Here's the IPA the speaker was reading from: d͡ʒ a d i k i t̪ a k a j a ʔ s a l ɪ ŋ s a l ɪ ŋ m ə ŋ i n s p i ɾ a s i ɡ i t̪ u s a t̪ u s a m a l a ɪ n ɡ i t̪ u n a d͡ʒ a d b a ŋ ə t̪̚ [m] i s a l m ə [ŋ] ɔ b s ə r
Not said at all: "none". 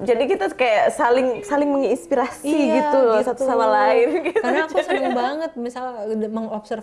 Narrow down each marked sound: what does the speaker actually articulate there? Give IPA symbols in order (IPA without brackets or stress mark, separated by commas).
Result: m, ŋ